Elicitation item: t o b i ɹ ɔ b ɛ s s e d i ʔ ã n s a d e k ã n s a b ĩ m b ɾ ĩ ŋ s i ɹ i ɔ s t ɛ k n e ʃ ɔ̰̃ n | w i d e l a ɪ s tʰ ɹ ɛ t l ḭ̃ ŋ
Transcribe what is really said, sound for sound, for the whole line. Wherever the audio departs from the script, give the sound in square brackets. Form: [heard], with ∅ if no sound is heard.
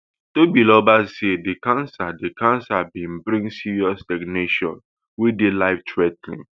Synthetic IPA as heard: t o b i [l] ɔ b [a] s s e d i [k] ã n s a d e k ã n s a b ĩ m b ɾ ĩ ŋ s i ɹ i ɔ s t ɛ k n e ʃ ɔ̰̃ n | w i d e l a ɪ [f] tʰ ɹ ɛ t l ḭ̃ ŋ